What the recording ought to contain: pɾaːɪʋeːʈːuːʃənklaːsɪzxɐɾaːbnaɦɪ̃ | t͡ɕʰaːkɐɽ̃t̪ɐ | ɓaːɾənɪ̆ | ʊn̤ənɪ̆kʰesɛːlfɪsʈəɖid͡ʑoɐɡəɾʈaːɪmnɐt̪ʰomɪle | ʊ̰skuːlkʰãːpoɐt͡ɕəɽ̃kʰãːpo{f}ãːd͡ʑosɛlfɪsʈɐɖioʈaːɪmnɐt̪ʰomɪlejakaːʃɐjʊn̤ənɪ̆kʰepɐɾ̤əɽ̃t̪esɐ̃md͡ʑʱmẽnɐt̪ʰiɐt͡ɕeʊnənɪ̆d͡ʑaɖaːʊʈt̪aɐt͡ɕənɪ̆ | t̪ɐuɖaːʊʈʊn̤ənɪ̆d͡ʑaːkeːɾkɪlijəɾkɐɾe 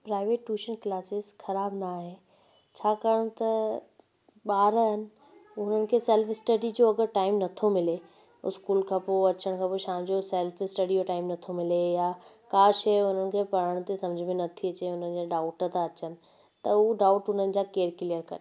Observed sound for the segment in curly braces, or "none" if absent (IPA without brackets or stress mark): ʃ